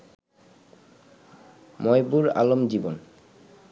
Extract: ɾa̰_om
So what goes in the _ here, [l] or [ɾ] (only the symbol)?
l